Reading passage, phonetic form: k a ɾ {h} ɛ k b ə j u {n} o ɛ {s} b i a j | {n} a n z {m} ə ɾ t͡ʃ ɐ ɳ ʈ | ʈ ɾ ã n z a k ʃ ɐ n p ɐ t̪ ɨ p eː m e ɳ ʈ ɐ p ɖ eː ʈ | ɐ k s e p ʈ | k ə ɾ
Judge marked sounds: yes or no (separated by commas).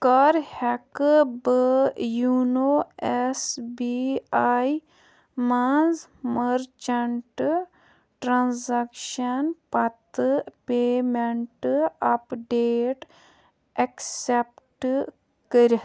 yes, yes, yes, no, yes